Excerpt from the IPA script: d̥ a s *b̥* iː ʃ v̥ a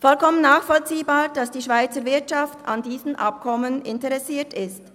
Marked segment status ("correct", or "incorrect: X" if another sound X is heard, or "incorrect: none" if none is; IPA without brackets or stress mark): incorrect: d̥